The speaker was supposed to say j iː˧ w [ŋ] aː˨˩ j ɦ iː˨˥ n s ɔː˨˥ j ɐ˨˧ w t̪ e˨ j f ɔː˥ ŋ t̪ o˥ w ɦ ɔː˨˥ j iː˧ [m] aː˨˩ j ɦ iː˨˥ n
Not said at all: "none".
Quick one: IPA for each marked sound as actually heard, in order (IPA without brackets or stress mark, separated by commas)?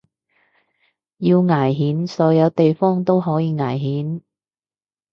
ŋ, ŋ